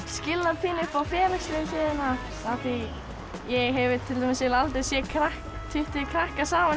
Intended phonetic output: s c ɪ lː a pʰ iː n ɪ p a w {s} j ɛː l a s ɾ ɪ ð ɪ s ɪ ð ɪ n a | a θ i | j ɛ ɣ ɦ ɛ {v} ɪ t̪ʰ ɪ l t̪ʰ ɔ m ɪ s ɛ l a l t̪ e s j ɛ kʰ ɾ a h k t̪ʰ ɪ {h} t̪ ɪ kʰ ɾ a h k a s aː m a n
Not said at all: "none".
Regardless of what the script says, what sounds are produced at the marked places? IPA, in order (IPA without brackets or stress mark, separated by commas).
f, v, h